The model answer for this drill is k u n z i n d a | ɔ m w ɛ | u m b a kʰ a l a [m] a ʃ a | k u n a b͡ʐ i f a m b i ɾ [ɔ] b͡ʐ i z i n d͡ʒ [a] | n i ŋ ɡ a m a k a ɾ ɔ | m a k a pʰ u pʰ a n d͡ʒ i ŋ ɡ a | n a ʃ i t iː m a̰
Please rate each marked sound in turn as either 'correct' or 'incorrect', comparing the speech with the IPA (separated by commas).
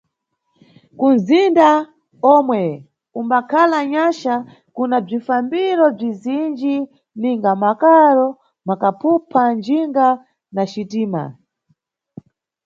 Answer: incorrect, correct, incorrect